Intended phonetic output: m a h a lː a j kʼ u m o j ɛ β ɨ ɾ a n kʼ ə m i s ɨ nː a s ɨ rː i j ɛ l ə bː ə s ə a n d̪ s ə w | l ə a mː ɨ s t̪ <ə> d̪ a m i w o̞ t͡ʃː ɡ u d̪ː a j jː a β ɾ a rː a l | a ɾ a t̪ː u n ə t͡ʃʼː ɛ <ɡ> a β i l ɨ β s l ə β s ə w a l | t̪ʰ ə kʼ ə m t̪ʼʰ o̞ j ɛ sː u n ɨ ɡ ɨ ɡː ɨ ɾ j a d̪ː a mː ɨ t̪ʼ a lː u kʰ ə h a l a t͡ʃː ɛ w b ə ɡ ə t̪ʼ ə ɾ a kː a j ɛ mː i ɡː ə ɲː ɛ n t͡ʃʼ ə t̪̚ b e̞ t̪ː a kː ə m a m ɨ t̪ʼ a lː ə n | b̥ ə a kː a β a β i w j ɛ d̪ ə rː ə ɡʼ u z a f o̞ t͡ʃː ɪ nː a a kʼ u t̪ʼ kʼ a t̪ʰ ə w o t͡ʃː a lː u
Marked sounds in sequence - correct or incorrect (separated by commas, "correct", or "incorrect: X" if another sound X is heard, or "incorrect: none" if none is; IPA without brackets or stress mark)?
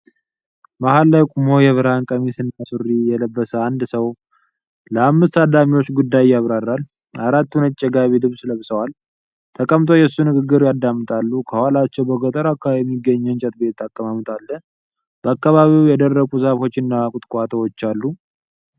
incorrect: a, correct